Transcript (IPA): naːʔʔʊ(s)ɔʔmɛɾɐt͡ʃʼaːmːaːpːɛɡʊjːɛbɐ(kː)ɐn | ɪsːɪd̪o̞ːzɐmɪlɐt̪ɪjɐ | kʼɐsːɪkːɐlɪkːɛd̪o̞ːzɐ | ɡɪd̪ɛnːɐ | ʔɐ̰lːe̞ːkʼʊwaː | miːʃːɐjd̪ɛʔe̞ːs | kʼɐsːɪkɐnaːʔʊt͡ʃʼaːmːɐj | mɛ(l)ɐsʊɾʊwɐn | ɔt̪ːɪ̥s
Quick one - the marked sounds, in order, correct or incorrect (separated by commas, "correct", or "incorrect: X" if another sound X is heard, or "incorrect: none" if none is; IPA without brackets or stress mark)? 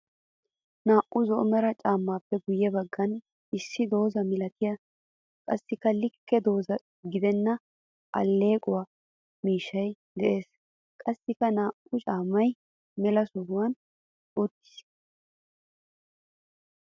incorrect: z, incorrect: ɡː, correct